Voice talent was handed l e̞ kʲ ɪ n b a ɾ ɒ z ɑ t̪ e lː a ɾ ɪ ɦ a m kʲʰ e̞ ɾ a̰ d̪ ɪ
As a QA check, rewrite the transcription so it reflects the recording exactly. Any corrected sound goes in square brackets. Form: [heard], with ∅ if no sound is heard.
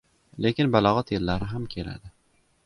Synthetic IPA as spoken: l e̞ kʲ ɪ n b a [l] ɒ [ʁ] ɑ t̪ e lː a ɾ ɪ ɦ a m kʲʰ e̞ [l] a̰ d̪ ɪ